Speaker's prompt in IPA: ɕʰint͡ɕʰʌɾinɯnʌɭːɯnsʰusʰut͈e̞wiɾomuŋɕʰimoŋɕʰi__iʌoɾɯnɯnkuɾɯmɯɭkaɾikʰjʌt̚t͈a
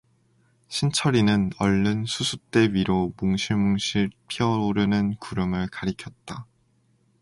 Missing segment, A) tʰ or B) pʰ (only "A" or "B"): B